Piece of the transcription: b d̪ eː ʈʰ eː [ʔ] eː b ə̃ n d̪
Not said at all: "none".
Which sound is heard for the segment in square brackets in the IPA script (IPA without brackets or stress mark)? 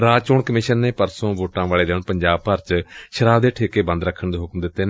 k